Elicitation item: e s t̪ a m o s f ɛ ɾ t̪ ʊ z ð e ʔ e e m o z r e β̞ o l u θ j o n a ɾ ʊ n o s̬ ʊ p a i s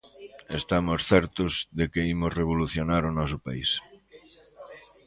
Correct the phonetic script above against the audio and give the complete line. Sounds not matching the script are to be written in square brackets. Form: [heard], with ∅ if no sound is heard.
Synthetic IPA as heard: e s t̪ a m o s [θ] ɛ ɾ t̪ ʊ z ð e [k] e [i] m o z r e β̞ o l u θ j o n a ɾ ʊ n [ɔ] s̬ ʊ p a i s

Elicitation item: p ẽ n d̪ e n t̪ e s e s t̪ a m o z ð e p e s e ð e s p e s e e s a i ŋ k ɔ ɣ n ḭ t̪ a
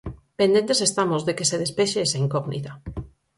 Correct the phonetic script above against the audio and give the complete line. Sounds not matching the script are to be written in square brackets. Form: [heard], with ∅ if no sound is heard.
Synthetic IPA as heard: p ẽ n d̪ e n t̪ e s e s t̪ a m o z ð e [k] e s e ð e s p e [ʃ] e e s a i ŋ k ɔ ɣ n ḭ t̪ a

